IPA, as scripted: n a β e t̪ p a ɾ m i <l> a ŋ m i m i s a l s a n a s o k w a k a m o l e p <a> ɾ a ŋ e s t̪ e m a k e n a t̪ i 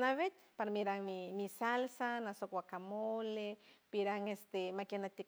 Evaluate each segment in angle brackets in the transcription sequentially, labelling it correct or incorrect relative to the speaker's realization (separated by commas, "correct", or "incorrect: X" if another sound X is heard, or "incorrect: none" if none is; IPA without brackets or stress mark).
incorrect: ɾ, incorrect: i